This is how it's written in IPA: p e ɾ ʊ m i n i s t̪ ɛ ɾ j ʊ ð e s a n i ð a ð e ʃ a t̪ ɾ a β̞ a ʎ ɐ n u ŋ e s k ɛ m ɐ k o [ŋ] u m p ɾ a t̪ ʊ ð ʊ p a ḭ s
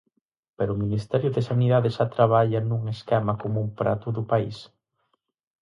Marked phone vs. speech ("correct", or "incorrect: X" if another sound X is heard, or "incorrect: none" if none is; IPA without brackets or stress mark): incorrect: m